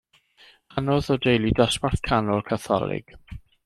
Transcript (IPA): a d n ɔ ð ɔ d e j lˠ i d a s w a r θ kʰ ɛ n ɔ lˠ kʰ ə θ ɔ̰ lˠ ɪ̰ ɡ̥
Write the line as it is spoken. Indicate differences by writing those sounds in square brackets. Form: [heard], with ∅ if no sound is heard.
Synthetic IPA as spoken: a [∅] n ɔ ð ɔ d e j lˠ i d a s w a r θ kʰ [a] n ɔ lˠ kʰ [a] θ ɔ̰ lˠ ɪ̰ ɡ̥